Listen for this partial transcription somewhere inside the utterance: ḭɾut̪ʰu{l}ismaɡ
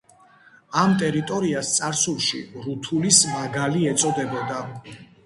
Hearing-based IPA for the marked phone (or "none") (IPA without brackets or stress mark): l